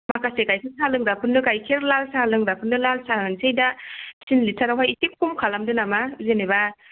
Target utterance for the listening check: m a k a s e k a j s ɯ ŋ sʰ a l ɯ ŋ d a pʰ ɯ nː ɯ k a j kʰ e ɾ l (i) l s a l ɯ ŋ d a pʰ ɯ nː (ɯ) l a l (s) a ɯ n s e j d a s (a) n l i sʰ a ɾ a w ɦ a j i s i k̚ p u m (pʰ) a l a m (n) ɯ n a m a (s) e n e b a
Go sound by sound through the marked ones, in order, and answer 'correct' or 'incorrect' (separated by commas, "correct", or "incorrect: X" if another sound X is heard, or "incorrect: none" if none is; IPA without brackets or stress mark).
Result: incorrect: a, correct, correct, incorrect: i, incorrect: kʰ, incorrect: d, incorrect: z